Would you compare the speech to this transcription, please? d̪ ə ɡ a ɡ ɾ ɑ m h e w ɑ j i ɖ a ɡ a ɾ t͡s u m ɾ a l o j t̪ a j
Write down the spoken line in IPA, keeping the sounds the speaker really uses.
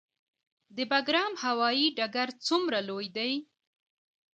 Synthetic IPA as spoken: d̪ ə b a ɡ ɾ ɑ m h a w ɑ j i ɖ a ɡ a ɾ t͡s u m ɾ a l o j d̪ a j